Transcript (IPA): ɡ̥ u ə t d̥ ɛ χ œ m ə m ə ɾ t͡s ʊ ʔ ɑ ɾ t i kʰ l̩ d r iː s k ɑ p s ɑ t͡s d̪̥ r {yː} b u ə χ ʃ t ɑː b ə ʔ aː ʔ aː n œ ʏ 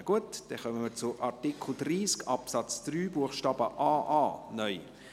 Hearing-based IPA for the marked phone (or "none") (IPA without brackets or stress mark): yː